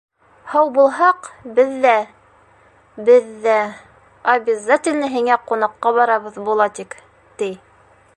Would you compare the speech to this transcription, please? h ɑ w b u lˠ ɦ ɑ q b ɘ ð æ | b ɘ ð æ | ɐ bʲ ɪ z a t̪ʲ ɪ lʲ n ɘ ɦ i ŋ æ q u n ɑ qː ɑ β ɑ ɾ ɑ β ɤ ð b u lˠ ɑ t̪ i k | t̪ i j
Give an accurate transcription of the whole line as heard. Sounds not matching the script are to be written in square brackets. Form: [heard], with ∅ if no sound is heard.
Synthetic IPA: h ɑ w b u lˠ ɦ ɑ q b ɘ [ðː] æ | b ɘ [ðː] æ | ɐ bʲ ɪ z a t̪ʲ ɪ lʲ n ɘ ɦ i ŋ æ q u n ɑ qː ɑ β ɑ ɾ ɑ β ɤ ð b u lˠ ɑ t̪ i k | t̪ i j